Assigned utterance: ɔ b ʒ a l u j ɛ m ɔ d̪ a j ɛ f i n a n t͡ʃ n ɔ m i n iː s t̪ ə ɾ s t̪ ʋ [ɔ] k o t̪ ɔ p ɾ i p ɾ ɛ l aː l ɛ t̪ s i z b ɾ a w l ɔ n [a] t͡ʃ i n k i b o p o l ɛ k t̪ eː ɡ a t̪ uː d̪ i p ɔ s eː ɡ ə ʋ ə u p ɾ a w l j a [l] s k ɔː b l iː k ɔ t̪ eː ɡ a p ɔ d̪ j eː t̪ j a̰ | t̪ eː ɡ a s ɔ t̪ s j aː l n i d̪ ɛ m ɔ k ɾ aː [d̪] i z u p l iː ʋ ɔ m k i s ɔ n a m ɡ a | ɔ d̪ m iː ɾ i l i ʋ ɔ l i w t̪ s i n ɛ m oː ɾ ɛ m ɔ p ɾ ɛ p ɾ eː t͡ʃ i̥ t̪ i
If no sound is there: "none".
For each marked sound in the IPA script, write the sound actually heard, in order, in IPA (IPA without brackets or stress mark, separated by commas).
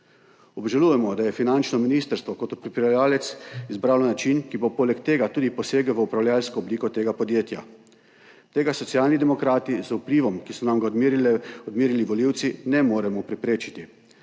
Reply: ɔ, a, l, t̪